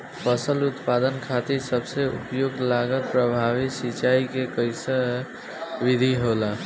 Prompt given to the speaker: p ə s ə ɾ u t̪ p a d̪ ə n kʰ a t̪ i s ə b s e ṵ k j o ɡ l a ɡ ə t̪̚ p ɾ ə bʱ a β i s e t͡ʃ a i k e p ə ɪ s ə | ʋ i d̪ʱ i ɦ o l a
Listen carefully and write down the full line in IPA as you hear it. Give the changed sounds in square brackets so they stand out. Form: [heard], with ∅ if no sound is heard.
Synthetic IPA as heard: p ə s ə [l] u t̪ p a d̪ ə n kʰ a t̪ i s ə b s e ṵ [p] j o ɡ l a ɡ ə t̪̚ p ɾ ə bʱ a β i s [i] t͡ʃ a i k e [k] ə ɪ s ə | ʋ i d̪ʱ i ɦ o l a